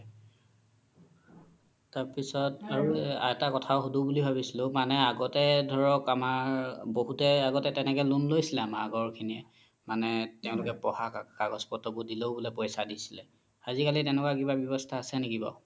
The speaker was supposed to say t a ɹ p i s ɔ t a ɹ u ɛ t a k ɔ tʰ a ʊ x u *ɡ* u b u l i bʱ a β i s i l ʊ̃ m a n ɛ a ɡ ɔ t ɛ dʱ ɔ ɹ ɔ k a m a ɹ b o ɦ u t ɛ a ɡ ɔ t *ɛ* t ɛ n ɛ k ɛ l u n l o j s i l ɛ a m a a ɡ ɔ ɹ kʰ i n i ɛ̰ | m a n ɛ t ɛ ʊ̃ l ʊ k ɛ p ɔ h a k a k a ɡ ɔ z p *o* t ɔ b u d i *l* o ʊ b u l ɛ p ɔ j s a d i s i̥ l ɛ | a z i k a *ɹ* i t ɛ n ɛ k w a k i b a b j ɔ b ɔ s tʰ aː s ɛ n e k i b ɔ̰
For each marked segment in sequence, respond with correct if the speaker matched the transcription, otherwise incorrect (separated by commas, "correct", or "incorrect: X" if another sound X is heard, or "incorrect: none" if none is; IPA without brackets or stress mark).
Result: incorrect: d, correct, incorrect: ɔ, correct, incorrect: l